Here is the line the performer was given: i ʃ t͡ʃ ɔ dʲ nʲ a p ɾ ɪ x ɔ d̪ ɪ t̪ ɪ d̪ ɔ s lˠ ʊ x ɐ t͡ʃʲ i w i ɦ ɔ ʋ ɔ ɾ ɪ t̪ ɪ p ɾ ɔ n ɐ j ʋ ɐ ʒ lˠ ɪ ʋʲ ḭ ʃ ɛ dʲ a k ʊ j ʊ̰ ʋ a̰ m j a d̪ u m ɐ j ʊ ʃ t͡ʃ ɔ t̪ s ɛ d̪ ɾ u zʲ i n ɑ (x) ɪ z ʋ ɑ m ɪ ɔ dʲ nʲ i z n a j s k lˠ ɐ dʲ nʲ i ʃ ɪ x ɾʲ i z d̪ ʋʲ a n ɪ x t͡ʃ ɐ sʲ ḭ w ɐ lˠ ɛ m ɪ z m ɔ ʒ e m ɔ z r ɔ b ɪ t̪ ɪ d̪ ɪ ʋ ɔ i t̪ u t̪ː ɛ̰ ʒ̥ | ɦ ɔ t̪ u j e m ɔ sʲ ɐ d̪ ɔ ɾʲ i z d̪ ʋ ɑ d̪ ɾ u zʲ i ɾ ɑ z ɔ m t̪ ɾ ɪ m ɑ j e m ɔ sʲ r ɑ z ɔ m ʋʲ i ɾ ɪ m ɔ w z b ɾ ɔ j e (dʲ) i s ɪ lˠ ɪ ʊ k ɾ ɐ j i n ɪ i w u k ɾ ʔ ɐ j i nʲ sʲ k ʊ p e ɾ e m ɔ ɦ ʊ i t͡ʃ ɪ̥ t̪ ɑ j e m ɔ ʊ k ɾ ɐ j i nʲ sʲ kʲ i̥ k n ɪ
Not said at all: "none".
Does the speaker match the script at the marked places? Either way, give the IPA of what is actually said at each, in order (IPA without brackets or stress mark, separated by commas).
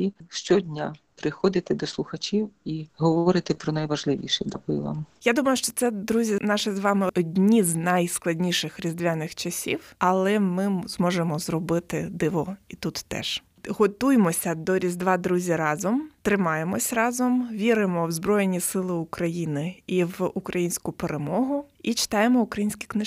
ʃ, nʲ